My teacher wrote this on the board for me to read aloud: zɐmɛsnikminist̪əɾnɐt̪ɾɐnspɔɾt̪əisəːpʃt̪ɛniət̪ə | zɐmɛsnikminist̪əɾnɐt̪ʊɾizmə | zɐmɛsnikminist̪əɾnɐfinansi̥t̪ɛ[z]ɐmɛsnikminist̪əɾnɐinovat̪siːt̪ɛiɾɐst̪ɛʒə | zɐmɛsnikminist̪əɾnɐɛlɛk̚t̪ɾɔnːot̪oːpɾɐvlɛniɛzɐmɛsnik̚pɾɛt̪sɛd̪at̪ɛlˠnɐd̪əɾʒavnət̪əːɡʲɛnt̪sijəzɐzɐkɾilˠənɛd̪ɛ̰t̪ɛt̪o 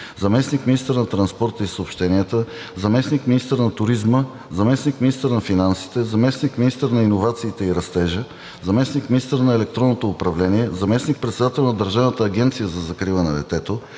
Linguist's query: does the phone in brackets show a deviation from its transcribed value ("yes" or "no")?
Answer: no